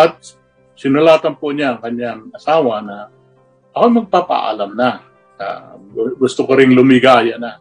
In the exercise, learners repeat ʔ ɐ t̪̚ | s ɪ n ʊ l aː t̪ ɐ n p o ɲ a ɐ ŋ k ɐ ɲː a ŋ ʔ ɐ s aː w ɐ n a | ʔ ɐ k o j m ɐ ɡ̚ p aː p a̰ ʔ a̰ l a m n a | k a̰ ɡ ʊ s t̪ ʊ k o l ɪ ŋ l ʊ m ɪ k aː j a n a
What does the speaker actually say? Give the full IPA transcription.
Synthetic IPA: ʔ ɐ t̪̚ | s ɪ n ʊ l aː t̪ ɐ n p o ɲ a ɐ ŋ k ɐ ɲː a ŋ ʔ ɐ s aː w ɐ n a | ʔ ɐ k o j m ɐ ɡ̚ p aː p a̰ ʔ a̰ l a m n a | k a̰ ɡ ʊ s t̪ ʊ k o ɾ ɪ ŋ l ʊ m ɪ ɡ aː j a n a